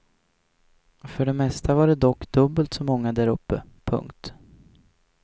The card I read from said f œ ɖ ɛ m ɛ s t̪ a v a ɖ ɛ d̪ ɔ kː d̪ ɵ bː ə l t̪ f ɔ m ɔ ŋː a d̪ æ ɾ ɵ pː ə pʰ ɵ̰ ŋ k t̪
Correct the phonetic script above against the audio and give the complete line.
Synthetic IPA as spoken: f œ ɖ ɛ m ɛ s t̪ a v a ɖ ɛ d̪ ɔ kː d̪ ɵ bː ə l t̪ s ɔ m ɔ ŋː a d̪ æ ɾ ɵ pː ə pʰ ɵ̰ ŋ k t̪